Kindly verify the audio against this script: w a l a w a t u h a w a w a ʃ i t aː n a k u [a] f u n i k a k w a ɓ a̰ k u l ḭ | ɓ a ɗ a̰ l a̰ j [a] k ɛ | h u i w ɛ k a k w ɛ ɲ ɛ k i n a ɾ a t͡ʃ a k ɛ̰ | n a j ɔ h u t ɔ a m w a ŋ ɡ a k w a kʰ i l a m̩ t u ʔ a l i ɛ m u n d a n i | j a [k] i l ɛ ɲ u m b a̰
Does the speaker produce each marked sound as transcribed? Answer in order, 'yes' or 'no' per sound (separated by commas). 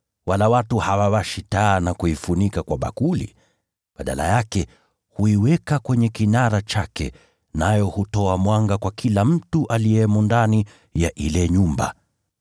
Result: no, yes, no